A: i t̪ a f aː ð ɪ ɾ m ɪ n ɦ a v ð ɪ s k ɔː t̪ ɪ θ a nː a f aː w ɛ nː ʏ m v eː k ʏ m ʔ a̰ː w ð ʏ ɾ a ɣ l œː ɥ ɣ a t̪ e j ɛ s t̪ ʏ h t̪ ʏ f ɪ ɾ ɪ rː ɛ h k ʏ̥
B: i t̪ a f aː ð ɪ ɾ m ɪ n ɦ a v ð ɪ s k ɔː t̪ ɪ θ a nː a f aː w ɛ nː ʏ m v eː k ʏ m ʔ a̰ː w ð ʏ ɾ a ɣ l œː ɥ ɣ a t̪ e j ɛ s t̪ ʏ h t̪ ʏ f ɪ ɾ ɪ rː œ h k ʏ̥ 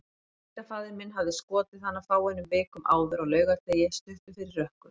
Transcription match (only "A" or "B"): B